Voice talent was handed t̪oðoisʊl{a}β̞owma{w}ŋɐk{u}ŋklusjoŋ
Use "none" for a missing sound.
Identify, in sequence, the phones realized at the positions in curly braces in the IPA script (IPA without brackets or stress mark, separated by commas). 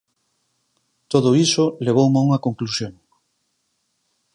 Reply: e, u, o